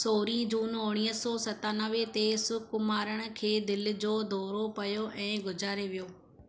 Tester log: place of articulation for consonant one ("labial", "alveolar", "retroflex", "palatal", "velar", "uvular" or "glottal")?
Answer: alveolar